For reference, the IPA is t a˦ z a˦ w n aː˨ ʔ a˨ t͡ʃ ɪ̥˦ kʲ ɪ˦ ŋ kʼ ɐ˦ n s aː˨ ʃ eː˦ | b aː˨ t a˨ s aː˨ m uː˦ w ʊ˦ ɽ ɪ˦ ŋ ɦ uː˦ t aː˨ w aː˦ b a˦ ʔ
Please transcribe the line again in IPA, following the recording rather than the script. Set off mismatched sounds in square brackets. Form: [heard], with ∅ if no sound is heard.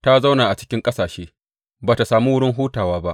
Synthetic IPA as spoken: t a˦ z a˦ w n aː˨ ʔ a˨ t͡ʃ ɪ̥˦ kʲ ɪ˦ ŋ kʼ ɐ˦ [∅] s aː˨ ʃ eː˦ | b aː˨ t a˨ s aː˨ m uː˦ w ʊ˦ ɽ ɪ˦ ŋ ɦ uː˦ t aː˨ w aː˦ b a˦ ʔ

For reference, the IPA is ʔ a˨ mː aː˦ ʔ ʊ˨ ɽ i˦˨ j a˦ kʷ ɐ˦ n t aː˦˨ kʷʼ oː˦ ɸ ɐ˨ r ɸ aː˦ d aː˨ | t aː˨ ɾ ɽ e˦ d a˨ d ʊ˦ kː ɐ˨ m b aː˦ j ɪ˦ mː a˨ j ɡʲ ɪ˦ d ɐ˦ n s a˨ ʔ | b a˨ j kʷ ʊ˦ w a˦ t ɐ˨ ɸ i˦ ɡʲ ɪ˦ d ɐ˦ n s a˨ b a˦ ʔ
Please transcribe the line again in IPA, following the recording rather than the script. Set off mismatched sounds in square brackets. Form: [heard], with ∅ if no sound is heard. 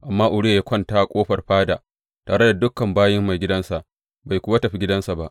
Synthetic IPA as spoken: ʔ a˨ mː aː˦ ʔ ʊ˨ ɽ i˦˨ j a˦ kʷ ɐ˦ n t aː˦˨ kʷʼ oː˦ ɸ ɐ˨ r ɸ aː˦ d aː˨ | t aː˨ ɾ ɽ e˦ d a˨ d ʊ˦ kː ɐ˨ m b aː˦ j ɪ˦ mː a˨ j ɡʲ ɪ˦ d ɐ˦ n s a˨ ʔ | b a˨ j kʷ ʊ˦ w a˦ t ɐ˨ ɸ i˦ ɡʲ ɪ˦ d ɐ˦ n s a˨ b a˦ ʔ

